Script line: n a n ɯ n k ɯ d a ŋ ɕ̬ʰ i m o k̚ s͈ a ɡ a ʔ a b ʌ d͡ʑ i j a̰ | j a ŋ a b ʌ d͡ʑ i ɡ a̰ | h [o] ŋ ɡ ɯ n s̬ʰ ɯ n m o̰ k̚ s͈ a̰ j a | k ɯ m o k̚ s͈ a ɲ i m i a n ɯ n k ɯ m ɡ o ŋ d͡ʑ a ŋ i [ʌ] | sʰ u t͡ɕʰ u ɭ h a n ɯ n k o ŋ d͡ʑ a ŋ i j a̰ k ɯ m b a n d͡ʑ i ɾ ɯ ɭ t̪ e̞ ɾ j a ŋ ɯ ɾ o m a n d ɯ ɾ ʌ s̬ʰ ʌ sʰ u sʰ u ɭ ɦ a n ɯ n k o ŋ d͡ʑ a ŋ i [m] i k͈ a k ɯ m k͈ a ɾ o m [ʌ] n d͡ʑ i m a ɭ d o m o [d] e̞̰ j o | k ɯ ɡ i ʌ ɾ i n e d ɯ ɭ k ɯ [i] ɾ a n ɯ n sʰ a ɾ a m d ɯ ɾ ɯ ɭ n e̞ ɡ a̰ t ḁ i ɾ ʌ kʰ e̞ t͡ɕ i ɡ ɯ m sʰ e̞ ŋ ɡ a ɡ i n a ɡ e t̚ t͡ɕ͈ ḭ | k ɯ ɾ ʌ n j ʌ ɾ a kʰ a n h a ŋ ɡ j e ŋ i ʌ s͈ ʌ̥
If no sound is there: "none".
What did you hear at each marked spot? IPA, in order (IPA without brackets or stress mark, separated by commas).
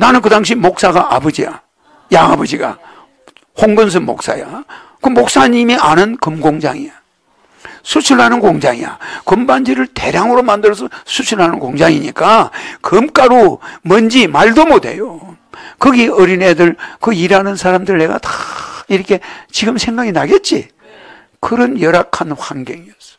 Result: o, a, ɲ, ʌ, d, i